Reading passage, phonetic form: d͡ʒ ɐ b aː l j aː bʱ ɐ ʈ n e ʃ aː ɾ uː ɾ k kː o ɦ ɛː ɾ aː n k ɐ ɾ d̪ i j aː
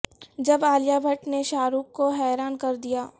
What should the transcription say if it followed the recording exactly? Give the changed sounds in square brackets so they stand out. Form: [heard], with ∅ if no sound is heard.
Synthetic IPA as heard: d͡ʒ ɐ b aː l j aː bʱ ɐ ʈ n e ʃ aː ɾ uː [∅] k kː o ɦ ɛː ɾ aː n k ɐ ɾ d̪ i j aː